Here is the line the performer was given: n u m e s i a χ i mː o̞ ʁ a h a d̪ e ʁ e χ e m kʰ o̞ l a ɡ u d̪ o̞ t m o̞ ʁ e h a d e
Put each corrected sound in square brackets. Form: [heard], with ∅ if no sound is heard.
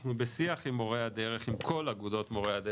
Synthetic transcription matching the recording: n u [b] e s i a χ i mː o̞ ʁ [e] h a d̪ e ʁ e χ [i] m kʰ o̞ l a ɡ u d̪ o̞ t m o̞ ʁ e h a d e